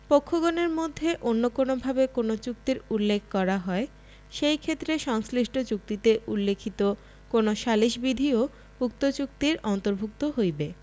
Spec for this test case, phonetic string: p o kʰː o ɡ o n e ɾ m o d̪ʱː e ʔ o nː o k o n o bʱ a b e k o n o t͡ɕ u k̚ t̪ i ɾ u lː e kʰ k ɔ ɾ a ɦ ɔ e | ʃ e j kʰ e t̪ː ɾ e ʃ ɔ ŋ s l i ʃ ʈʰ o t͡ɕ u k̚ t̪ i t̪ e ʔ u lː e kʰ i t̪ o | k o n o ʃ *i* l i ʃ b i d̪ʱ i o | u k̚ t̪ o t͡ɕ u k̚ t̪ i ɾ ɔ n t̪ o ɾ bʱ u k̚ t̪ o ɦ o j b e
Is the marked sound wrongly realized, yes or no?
yes